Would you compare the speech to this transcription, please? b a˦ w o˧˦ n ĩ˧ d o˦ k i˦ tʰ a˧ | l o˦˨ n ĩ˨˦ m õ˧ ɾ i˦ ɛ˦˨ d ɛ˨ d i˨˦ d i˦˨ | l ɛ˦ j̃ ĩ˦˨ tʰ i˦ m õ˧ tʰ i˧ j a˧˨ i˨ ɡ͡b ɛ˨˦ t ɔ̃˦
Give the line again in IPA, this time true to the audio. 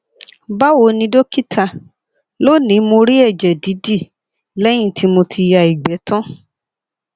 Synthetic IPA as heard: b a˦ w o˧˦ n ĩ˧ d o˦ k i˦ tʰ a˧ | l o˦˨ n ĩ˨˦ m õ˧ ɾ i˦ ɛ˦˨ d͡ʒ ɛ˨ d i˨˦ d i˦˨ | l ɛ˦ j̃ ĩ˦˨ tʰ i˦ m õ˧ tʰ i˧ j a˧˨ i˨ ɡ͡b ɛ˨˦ t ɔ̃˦